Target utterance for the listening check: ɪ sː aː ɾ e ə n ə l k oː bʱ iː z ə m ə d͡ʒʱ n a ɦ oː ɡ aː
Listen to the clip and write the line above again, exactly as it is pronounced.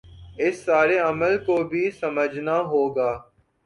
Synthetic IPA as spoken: ɪ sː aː ɾ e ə m ə l k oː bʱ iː s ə m ə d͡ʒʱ n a ɦ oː ɡ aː